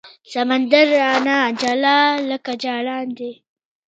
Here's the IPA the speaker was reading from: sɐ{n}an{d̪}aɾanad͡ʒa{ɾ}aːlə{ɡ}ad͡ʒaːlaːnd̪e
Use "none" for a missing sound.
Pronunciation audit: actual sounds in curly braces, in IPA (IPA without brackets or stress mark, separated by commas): m, d̪, l, k